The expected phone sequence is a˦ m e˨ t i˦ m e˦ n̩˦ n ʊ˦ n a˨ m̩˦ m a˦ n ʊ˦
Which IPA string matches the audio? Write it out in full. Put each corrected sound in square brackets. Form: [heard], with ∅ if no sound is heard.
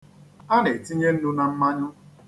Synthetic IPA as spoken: a˦ [n] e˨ t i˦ [ɲ] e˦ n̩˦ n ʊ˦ n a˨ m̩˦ m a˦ [ɲ] ʊ˦